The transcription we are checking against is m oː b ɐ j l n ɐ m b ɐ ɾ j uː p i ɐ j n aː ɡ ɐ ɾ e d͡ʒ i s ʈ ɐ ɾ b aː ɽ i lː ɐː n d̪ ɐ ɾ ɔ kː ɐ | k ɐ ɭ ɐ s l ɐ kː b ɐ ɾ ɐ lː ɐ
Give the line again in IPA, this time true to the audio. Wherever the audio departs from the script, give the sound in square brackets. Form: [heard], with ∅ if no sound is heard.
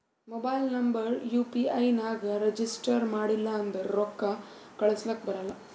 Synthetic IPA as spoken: m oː b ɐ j l n ɐ m b ɐ ɾ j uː p i ɐ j n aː ɡ ɐ ɾ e d͡ʒ i s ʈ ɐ ɾ [m] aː ɽ i lː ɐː n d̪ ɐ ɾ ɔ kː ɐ | k ɐ ɭ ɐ s l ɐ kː b ɐ ɾ ɐ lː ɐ